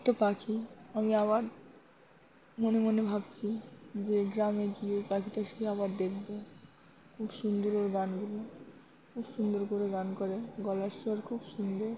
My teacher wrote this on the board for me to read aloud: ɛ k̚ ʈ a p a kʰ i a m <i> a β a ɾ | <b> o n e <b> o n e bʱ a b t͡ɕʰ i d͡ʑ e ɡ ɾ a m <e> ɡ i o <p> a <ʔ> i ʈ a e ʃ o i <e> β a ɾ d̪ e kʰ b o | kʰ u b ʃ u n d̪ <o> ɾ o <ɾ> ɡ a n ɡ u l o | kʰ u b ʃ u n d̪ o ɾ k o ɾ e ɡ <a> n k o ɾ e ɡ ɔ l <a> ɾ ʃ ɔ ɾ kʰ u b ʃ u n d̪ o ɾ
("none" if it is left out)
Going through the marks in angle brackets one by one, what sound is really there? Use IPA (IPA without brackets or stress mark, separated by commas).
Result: i, m, m, e, p, k, a, o, ɾ, a, a